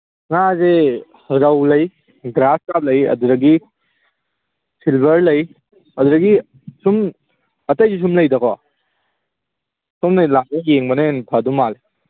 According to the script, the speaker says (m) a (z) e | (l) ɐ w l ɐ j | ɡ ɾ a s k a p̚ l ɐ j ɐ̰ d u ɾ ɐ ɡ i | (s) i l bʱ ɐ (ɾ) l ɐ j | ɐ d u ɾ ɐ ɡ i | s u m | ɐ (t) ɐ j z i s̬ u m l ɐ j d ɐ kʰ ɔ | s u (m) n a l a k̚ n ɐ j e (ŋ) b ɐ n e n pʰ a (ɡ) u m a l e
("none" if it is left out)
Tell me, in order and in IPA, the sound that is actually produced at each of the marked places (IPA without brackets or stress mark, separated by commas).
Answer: ŋ, z, ɾ, s, ɾ, t, m, ŋ, d